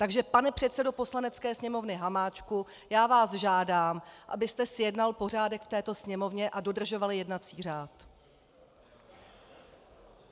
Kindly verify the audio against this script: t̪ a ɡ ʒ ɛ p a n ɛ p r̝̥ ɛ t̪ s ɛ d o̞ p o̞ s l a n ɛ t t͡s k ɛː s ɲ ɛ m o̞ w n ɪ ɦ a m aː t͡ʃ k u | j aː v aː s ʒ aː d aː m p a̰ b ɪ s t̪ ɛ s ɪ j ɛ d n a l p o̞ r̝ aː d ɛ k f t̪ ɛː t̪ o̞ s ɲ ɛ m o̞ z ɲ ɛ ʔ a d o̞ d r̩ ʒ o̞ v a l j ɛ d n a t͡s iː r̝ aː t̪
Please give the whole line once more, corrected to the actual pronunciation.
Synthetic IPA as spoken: t̪ a ɡ ʒ ɛ p a n ɛ p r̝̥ ɛ t̪ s ɛ d o̞ p o̞ s l a n ɛ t t͡s k ɛː s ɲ ɛ m o̞ v n ɪ ɦ a m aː t͡ʃ k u | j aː v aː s ʒ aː d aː m ʔ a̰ b ɪ s t̪ ɛ s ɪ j ɛ d n a l p o̞ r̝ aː d ɛ k f t̪ ɛː t̪ o̞ s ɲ ɛ m o̞ v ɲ ɛ ʔ a d o̞ d r̩ ʒ o̞ v a l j ɛ d n a t͡s iː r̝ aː t̪